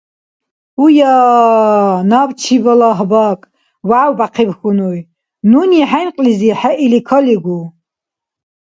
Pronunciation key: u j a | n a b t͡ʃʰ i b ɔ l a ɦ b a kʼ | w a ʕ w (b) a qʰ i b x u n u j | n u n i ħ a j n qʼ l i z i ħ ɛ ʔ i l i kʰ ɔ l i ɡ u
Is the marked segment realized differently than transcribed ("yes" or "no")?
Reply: no